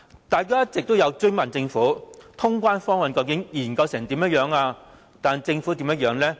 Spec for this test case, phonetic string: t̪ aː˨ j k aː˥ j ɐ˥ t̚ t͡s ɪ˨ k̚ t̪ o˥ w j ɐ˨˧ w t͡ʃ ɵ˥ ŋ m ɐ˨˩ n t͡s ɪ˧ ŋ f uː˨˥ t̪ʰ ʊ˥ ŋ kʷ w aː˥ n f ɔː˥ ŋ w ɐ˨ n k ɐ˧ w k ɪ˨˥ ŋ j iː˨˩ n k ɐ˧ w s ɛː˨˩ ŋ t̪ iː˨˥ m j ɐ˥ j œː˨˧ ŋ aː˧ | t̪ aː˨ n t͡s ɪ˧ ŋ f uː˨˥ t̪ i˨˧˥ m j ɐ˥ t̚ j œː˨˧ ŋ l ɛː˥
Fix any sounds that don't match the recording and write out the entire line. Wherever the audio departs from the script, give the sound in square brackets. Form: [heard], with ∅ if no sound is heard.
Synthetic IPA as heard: t̪ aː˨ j k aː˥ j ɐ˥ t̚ t͡s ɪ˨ k̚ t̪ o˥ w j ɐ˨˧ w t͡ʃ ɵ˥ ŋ m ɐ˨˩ n t͡s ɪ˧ ŋ f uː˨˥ t̪ʰ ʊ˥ ŋ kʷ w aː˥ n f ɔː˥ ŋ w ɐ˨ n k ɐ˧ w k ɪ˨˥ ŋ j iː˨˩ n k ɐ˧ w s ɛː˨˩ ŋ t̪ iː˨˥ m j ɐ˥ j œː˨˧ ŋ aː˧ | t̪ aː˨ n t͡s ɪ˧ ŋ f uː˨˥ t̪ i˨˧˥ m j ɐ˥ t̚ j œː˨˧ ŋ l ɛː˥